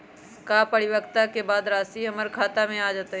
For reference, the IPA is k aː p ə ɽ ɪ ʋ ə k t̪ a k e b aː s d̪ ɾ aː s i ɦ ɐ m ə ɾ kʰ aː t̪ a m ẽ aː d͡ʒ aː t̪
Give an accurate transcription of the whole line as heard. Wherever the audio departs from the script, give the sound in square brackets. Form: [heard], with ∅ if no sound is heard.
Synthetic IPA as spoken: k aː p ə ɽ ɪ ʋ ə k t̪ a k e b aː [∅] d̪ ɾ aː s i ɦ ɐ m ə ɾ kʰ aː t̪ a m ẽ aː d͡ʒ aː t̪